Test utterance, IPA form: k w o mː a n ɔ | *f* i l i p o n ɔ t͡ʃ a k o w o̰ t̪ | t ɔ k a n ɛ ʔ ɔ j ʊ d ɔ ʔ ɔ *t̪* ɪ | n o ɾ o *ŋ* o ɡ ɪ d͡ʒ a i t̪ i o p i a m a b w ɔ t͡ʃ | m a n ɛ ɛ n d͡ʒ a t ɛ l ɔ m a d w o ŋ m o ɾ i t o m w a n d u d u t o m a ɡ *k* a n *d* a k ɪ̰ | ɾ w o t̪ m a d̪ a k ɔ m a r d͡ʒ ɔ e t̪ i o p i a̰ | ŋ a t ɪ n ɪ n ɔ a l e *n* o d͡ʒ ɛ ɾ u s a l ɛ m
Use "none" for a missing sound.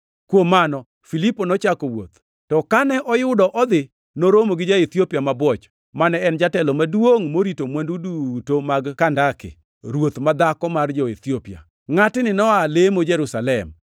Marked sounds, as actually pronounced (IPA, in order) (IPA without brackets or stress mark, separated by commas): f, d̪, m, k, d, m